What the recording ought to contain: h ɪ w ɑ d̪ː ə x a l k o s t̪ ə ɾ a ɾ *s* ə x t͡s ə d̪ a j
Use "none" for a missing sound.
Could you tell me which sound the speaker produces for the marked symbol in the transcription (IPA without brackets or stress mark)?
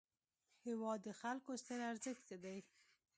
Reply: z